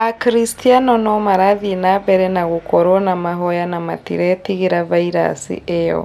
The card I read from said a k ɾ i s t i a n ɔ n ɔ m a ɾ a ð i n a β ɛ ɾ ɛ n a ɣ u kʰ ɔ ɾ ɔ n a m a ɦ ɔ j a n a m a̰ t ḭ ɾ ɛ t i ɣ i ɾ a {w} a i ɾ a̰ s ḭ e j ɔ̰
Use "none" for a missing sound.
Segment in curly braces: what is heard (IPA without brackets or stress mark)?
v